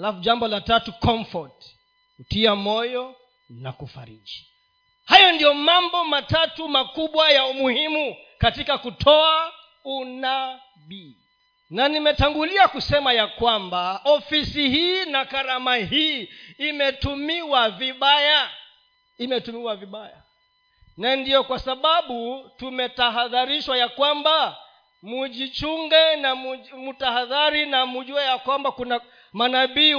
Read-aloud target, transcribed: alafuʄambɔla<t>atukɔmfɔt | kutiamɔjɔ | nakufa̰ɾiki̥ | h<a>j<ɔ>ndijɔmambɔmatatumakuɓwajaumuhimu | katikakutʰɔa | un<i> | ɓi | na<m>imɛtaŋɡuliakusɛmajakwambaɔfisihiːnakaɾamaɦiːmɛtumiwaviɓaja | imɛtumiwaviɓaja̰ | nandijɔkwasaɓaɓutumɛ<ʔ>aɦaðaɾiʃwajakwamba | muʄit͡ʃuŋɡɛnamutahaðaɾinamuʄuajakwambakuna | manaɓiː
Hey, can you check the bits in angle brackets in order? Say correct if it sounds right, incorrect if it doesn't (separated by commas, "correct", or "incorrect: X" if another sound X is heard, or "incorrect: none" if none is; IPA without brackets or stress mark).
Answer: correct, correct, correct, incorrect: a, incorrect: n, incorrect: t